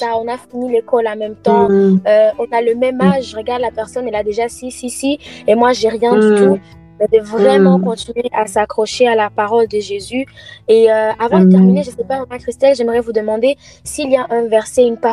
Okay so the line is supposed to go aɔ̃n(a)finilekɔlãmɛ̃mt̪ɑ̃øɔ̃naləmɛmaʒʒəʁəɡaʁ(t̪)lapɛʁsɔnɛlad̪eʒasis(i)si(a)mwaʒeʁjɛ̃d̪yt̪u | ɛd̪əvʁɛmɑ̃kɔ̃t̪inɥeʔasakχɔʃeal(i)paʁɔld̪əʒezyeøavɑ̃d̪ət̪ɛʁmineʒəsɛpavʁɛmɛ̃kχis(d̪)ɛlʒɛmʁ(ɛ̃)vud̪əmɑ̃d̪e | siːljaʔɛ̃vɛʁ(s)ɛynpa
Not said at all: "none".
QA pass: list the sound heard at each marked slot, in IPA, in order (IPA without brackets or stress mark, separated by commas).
a, d̪, i, e, a, t̪, ɛ, s